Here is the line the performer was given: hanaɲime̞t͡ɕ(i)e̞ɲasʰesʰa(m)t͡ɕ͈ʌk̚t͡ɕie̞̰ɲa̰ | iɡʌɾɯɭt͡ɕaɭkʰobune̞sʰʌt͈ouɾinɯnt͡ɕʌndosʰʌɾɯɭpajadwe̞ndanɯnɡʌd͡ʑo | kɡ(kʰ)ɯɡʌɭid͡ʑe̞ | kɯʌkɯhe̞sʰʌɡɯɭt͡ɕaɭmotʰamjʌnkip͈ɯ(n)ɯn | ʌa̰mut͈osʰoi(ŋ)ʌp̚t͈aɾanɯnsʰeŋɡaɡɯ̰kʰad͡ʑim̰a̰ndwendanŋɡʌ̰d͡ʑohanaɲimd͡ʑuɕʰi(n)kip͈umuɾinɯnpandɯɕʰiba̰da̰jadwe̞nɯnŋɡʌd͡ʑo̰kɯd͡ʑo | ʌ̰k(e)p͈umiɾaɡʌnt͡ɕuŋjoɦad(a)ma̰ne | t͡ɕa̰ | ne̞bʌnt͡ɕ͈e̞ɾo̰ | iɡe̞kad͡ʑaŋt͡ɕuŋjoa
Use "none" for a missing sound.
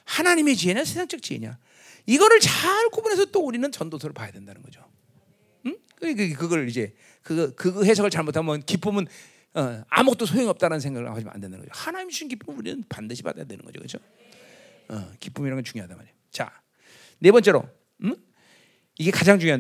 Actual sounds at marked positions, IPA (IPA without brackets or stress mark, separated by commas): i, ŋ, k, m, ŋ, n, i, a